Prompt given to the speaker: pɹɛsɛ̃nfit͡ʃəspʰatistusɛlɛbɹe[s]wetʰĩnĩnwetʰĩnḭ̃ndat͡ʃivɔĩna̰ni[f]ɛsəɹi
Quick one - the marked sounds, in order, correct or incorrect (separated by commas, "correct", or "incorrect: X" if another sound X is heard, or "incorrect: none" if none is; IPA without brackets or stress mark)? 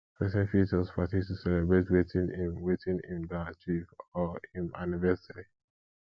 incorrect: t, incorrect: v